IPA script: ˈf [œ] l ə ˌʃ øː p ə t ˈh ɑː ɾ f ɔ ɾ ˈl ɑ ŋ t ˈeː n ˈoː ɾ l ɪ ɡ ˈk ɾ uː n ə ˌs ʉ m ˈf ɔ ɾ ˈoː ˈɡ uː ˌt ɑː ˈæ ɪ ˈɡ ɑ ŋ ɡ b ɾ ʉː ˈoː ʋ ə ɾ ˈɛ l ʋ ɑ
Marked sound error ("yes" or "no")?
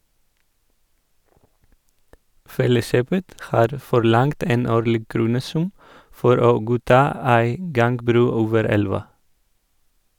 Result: yes